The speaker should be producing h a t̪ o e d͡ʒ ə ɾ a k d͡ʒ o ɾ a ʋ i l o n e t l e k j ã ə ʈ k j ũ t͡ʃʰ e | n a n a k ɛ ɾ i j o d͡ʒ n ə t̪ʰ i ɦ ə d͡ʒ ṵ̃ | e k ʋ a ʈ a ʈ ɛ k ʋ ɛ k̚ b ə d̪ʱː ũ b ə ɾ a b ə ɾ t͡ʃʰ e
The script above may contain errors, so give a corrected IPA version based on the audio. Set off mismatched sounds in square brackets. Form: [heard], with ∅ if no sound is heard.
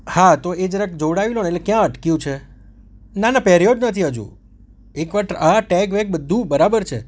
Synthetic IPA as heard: h a t̪ o e d͡ʒ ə ɾ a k d͡ʒ o [ɽ] a ʋ i l o n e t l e k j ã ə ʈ k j ũ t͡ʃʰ e | n a n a [p] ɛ ɾ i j o d͡ʒ n ə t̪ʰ i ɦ ə d͡ʒ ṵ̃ | e k ʋ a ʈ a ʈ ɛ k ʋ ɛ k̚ b ə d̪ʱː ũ b ə ɾ a b ə ɾ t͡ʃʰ e

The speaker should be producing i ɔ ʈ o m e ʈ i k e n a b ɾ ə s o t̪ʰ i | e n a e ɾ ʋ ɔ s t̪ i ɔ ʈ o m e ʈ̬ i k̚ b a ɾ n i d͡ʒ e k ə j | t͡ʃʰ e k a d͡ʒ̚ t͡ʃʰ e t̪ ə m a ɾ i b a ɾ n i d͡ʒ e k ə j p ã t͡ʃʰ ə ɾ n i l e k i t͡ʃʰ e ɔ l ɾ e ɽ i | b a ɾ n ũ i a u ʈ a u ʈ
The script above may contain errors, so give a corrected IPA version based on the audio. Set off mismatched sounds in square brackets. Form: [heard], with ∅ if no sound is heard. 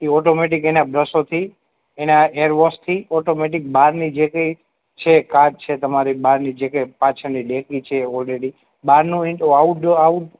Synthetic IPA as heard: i ɔ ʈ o m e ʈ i k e n a b ɾ ə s o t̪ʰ i | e n a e ɾ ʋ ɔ s [t̪ʰ] i ɔ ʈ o m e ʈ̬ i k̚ b a ɾ n i d͡ʒ e k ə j | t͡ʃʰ e k a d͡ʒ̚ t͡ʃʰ e t̪ ə m a ɾ i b a ɾ n i d͡ʒ e k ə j p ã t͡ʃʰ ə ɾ n i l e k i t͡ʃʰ e ɔ l ɾ e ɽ i | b a ɾ n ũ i a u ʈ a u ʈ

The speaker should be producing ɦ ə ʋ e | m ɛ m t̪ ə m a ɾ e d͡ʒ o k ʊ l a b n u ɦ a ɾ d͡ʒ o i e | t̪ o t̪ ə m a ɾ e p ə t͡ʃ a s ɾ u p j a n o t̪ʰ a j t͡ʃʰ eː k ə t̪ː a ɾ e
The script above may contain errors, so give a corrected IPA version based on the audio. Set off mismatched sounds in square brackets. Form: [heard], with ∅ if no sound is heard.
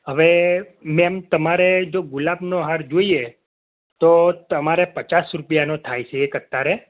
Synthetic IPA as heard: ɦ ə ʋ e | m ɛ m t̪ ə m a ɾ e d͡ʒ o [ɡ] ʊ l a b n [o] ɦ a ɾ d͡ʒ o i e | t̪ o t̪ ə m a ɾ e p ə t͡ʃ a s ɾ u p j a n o t̪ʰ a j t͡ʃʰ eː k ə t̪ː a ɾ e

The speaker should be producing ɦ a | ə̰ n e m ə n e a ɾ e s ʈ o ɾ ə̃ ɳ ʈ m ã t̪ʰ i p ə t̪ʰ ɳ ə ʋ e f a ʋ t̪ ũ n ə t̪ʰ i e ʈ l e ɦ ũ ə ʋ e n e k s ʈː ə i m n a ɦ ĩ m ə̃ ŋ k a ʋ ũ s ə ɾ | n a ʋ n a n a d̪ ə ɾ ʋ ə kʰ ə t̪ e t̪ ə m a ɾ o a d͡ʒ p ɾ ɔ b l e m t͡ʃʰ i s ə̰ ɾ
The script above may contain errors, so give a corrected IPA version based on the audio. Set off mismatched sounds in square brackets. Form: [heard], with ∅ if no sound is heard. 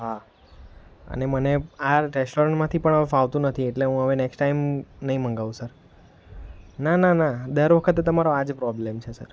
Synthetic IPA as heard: ɦ a | ə̰ n e m ə n e a ɾ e s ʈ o ɾ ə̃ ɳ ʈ m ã t̪ʰ i p ə [∅] ɳ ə ʋ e f a ʋ t̪ ũ n ə t̪ʰ i e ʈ l e ɦ ũ ə ʋ e n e k s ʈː [a] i m n [ə] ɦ ĩ m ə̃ ŋ [ɡ] a ʋ ũ s ə ɾ | n a [∅] n a n a d̪ ə ɾ ʋ ə kʰ ə t̪ e t̪ ə m a ɾ o a d͡ʒ p ɾ ɔ b l e m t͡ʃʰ [e] s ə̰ ɾ

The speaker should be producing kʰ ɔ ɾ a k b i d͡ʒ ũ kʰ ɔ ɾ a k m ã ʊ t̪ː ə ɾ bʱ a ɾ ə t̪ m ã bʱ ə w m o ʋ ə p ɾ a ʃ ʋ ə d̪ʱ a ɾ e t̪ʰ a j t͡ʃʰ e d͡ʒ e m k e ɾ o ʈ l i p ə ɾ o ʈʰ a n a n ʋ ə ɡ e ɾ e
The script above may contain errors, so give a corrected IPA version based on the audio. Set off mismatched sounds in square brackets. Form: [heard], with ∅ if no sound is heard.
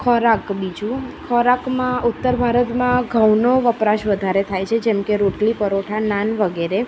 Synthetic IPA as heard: kʰ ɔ ɾ a k b i d͡ʒ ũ kʰ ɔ ɾ a k m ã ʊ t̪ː ə ɾ bʱ a ɾ ə t̪ m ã [ɡʱ] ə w [n] o ʋ ə p ɾ a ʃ ʋ ə d̪ʱ a ɾ e t̪ʰ a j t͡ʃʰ e d͡ʒ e m k e ɾ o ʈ l i p ə ɾ o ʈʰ a n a n ʋ ə ɡ e ɾ e

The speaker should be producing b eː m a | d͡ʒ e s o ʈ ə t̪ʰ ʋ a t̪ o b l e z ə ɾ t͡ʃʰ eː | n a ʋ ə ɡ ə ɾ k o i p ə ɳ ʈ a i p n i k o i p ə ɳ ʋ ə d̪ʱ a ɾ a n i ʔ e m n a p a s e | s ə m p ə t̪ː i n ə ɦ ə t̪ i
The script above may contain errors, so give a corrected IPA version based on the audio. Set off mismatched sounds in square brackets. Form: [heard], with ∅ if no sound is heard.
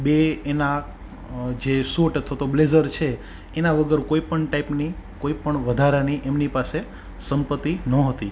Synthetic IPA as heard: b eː [n] a | d͡ʒ e s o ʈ ə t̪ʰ ʋ a t̪ o b l e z ə ɾ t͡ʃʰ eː | n a ʋ ə ɡ ə ɾ k o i p ə ɳ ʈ a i p n i k o i p ə ɳ ʋ ə d̪ʱ a ɾ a n i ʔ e m n [i] p a s e | s ə m p ə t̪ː i n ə ɦ ə t̪ i

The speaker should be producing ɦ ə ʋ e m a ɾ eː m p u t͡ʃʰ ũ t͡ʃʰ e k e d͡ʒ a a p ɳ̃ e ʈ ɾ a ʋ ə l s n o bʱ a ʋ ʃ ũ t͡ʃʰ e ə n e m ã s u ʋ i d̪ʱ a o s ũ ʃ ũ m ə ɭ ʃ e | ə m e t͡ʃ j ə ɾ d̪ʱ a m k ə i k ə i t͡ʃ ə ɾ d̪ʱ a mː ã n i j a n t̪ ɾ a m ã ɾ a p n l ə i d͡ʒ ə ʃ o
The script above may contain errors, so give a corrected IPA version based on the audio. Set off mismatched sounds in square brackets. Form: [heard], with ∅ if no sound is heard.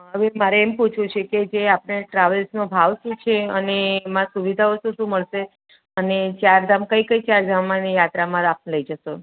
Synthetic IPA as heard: ɦ ə ʋ e m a ɾ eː m p u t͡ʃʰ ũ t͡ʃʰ e k e d͡ʒ [e] a p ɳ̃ e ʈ ɾ a ʋ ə l s n o bʱ a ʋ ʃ ũ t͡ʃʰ e ə n e m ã s u ʋ i d̪ʱ a o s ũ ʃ ũ m ə ɭ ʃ e | ə [n] e t͡ʃ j [a] ɾ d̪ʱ a m k ə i k ə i t͡ʃ [a] ɾ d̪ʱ a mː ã n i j a [∅] t̪ ɾ a m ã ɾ a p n l ə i d͡ʒ ə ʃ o

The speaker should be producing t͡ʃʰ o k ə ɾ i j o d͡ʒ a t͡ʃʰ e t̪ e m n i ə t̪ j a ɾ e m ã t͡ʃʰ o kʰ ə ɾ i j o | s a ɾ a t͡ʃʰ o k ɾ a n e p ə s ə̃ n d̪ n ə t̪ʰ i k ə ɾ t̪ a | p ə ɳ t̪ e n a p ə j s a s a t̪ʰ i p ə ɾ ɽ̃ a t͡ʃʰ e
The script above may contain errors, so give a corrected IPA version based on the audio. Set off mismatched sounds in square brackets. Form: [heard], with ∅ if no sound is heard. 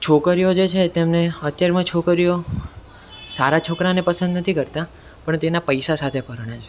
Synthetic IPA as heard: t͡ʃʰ o k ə ɾ i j o d͡ʒ [e] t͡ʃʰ e t̪ e m n [e] ə t̪ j a ɾ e m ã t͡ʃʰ o [k] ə ɾ i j o | s a ɾ a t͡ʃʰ o k ɾ a n e p ə s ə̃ n d̪ n ə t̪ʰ i k ə ɾ t̪ a | p ə ɳ t̪ e n a p ə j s a s a t̪ʰ [e] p ə ɾ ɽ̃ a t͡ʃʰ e

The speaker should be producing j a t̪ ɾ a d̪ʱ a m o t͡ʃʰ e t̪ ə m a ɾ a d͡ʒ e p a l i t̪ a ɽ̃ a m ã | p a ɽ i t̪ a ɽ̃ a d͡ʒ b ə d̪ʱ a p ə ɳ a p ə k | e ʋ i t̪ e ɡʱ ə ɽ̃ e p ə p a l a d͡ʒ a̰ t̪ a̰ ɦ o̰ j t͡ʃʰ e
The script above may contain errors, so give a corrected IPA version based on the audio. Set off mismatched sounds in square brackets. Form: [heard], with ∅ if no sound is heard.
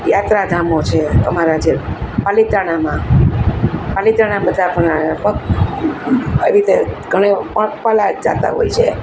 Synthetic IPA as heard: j a t̪ ɾ a d̪ʱ a m o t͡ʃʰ e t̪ ə m a ɾ a d͡ʒ e p a l i t̪ a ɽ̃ a m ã | p a [l] i t̪ a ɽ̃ a [∅] b ə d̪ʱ a p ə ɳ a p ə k | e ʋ i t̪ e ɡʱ ə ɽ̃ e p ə p a l a d͡ʒ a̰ t̪ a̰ ɦ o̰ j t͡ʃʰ e

